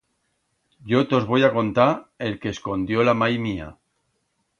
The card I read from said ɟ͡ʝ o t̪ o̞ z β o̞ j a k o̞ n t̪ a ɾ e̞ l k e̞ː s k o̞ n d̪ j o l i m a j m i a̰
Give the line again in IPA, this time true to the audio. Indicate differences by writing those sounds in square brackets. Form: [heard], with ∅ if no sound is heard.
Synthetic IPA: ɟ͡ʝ o t̪ o̞ z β o̞ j a k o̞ n t̪ a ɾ e̞ l k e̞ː s k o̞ n d̪ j o l [a] m a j m i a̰